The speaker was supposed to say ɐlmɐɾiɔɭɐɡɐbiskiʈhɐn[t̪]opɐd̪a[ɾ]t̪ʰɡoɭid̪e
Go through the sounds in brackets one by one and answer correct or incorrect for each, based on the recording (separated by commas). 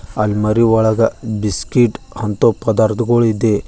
correct, correct